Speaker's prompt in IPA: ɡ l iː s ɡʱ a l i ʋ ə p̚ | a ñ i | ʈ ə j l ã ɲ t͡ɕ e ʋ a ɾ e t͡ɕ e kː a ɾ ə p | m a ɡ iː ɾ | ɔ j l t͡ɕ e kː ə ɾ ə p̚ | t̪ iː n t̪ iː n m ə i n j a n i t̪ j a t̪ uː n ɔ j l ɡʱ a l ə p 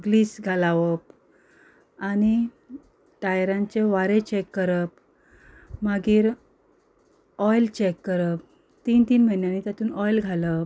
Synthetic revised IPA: ɡ l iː s ɡʱ a l a ʋ ə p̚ | a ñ i | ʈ a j ɾ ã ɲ t͡ɕ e ʋ a ɾ e t͡ɕ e kː ə ɾ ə p | m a ɡ iː ɾ | ɔ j l t͡ɕ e kː ə ɾ ə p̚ | t̪ iː n t̪ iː n m ə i n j a n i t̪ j a t̪ uː n ɔ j l ɡʱ a l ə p

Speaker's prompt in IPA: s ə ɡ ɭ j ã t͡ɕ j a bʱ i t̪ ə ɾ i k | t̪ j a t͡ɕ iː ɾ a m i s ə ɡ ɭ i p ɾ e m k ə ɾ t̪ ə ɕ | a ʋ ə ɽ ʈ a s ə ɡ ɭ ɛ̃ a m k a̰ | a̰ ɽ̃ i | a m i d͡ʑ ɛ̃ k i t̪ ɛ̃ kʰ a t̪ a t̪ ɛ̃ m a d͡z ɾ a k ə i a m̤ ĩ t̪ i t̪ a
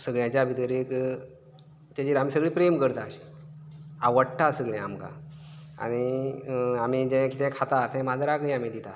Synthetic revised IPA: s ə ɡ ɭ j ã t͡ɕ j a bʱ i t̪ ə ɾ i k | t̪ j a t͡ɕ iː ɾ a m i s ə ɡ ɭ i p ɾ e m k ə ɾ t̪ a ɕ | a ʋ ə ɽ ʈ a s ə ɡ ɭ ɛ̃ a m k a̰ | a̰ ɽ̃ i | a m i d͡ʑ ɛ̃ k i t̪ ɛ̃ kʰ a t̪ a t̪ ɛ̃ m a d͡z ɾ a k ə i a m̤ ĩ d̪ i t̪ a

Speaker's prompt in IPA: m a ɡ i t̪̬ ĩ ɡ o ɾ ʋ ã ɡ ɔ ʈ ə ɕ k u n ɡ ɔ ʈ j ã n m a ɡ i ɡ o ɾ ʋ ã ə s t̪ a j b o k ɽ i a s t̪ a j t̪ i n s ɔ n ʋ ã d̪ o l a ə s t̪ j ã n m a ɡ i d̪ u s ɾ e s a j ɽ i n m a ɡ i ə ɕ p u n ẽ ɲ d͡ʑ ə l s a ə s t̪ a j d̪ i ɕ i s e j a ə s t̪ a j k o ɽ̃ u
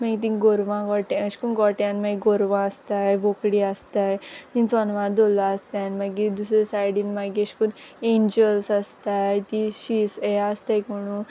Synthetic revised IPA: m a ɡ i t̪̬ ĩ ɡ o ɾ ʋ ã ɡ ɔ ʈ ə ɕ k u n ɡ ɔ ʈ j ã n m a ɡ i ɡ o ɾ ʋ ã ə s t̪ a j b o k ɽ i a s t̪ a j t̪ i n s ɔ n ʋ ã d̪ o l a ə s t̪ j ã n m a ɡ i d̪ u s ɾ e s a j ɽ i n m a ɡ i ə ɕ k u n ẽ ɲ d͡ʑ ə l s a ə s t̪ a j t̪ i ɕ i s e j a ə s t̪ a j k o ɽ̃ u

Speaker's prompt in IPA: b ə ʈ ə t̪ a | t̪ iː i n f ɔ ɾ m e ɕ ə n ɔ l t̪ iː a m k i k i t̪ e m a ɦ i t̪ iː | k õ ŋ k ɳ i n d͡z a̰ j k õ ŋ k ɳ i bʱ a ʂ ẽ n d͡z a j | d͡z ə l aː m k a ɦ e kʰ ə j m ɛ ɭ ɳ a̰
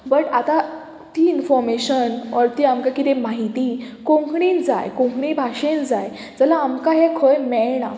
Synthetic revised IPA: b ə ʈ a t̪ a | t̪ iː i n f ɔ ɾ m e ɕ ə n ɔ ɾ t̪ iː a m k a k i t̪ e m a ɦ i t̪ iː | k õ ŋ k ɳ i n d͡z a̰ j k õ ŋ k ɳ i bʱ a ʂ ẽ n d͡z a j | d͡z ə l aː m k a ɦ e kʰ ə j m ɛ ɭ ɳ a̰

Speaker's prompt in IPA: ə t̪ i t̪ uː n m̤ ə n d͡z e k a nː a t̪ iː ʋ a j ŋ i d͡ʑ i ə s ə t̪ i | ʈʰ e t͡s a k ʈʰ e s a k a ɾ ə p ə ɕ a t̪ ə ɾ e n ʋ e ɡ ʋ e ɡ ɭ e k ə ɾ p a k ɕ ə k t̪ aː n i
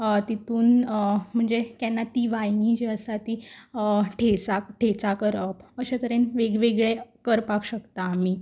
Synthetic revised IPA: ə t̪ i t̪ uː n m̤ ə ɳ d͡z e k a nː a t̪ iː ʋ a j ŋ i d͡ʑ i ə s a t̪ i | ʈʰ e t͡s a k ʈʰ e t͡s a k ə ɾ ə p ə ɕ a t̪ ə ɾ e n ʋ e ɡ ʋ e ɡ ɭ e k ə ɾ p a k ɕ ə k t̪ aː m i

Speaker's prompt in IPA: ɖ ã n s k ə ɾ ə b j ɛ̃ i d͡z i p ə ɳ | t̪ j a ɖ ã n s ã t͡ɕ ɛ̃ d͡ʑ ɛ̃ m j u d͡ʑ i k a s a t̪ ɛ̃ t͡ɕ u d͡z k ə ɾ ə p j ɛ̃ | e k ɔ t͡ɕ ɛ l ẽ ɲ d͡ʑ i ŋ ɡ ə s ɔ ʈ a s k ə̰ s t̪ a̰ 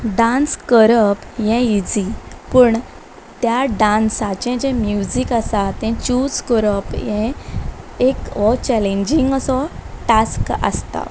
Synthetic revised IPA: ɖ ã n s k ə ɾ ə p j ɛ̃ i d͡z i p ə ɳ | t̪ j a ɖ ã n s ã t͡ɕ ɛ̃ d͡ʑ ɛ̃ m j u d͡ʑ i k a s a t̪ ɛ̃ t͡ɕ u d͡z k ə ɾ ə p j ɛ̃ | e k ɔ t͡ɕ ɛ l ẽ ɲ d͡ʑ i ŋ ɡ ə s ɔ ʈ a s k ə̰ s t̪ a̰

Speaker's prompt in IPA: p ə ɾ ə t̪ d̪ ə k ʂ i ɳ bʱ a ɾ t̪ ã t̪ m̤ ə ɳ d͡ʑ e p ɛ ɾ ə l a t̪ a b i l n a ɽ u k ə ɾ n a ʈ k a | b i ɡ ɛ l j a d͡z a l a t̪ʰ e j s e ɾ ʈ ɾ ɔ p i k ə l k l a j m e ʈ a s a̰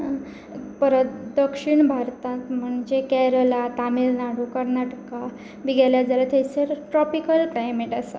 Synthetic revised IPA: p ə ɾ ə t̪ d̪ ə k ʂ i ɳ bʱ a ɾ t̪ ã t̪ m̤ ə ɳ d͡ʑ e k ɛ ɾ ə l a t̪ a m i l n a ɽ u k ə ɾ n a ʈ k a | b i ɡ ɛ l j a d͡z a l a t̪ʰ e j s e ɾ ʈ ɾ ɔ p i k ə l k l a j m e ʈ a s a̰

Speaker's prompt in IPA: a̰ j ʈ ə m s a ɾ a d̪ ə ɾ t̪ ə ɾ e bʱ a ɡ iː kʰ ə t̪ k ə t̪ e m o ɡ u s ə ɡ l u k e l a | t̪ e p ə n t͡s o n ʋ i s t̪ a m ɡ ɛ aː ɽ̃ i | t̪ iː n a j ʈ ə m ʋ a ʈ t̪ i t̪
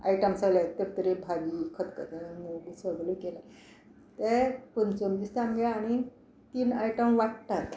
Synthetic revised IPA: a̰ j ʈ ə m s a l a t̪ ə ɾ t̪ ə ɾ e bʱ a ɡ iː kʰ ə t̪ k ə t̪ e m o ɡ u s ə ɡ l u k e l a | t̪ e p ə n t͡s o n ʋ i s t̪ a m ɡ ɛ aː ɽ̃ i | t̪ iː n a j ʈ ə m ʋ a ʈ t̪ a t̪

